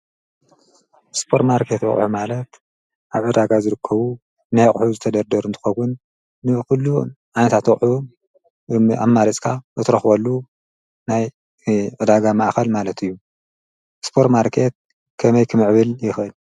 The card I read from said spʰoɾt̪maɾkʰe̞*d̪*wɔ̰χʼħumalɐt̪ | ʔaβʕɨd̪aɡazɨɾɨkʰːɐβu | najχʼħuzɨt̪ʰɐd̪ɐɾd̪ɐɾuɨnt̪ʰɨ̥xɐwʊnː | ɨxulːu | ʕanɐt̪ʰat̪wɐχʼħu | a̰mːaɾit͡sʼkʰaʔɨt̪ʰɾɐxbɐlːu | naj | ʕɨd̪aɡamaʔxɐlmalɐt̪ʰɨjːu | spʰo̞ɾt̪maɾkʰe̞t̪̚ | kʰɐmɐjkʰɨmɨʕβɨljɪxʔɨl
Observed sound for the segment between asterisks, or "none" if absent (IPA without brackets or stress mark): t̪